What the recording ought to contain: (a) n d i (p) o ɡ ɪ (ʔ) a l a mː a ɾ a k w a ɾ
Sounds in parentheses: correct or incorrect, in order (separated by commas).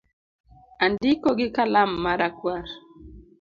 correct, incorrect, incorrect